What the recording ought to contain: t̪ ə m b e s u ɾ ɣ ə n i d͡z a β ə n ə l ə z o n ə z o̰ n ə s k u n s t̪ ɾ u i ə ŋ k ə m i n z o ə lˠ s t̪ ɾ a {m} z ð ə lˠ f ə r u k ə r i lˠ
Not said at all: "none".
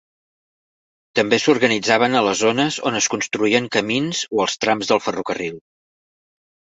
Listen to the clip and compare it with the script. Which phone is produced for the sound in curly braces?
m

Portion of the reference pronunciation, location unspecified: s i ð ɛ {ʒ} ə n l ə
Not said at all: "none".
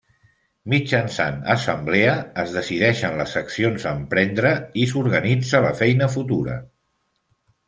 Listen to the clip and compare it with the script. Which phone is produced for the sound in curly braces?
ʃ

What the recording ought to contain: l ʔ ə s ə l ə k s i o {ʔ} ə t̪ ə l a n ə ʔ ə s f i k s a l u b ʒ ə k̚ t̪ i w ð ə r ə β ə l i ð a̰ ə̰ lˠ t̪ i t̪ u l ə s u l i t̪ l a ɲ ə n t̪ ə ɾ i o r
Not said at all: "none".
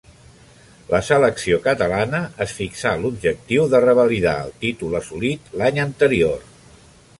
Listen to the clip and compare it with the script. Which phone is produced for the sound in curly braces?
k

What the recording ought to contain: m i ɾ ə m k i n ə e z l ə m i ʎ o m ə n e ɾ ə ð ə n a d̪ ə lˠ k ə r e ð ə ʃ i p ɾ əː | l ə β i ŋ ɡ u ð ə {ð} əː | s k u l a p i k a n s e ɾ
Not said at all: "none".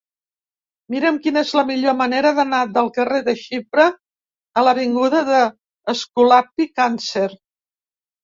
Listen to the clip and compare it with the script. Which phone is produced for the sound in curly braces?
ð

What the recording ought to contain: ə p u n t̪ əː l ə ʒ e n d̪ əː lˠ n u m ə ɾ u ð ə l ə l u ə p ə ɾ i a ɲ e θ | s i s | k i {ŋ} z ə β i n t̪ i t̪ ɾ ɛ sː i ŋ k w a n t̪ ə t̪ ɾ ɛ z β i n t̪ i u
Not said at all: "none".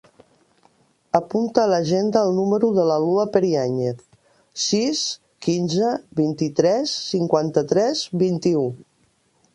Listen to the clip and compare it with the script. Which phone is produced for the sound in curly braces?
n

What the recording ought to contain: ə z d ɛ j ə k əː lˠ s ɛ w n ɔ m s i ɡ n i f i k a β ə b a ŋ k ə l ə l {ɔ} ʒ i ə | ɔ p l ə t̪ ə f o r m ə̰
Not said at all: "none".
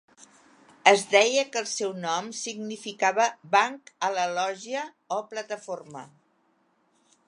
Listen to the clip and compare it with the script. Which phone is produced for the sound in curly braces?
ɔ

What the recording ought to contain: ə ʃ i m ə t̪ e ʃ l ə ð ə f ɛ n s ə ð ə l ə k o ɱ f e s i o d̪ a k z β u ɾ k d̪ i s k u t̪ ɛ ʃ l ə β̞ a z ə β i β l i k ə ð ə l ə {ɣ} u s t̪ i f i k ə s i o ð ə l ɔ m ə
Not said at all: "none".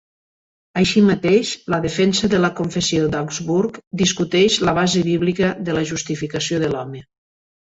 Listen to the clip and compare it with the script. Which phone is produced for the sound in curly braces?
ʒ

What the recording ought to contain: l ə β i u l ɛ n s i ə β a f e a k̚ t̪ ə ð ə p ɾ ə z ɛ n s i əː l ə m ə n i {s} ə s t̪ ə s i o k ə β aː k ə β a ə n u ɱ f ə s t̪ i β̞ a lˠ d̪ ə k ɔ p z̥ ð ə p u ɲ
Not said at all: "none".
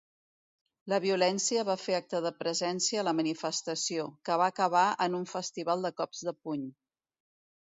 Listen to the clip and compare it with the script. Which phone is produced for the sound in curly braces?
f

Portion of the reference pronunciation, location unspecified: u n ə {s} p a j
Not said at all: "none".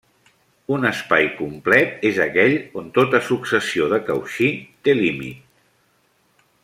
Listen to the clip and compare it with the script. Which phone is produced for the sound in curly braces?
s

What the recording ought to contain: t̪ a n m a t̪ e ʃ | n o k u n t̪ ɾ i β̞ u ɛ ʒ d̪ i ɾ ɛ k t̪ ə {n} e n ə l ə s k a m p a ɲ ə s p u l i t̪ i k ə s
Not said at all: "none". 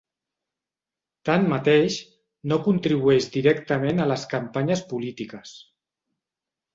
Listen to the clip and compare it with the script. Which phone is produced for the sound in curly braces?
m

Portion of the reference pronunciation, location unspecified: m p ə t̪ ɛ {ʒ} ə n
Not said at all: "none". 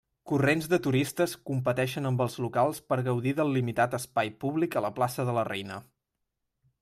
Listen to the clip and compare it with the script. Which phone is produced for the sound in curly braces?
ʃ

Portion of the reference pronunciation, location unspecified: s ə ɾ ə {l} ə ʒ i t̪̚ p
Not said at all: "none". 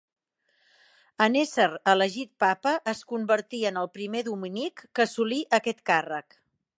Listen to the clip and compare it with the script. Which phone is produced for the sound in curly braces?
l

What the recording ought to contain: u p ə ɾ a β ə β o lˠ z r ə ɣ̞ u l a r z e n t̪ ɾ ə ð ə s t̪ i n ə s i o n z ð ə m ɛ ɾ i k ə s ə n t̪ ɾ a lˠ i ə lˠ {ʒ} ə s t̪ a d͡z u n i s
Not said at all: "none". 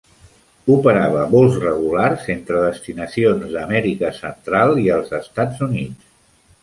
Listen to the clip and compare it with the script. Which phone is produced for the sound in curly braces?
z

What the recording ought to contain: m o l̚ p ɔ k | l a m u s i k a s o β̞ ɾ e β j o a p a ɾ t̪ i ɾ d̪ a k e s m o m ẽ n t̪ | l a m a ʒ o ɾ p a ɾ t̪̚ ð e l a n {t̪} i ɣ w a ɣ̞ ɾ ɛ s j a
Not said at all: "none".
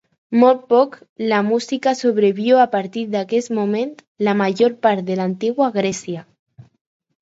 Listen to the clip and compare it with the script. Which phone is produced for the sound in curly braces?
t̪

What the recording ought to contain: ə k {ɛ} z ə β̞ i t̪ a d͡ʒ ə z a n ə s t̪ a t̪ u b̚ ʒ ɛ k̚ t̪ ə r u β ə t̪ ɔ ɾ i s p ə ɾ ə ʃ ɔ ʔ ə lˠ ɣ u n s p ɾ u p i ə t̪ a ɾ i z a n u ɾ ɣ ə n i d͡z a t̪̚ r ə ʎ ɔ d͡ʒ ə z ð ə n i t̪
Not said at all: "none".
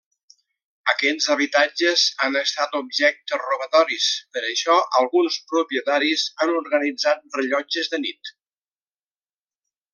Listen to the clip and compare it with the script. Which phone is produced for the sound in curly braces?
ɛ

